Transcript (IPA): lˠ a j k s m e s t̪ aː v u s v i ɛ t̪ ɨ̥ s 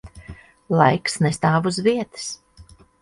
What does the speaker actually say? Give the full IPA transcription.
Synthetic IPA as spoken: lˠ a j k s n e s t̪ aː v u z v i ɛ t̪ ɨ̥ s